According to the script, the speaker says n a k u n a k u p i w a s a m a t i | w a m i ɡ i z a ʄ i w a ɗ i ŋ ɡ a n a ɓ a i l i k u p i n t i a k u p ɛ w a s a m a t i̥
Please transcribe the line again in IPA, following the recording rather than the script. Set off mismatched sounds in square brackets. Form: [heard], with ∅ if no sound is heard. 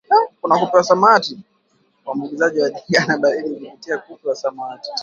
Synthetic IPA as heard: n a k u n a k u p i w a s a m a t i | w a m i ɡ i z a ʄ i w a ɗ i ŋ ɡ a n a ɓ a i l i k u p i [∅] t i a k u p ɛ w a s a m a t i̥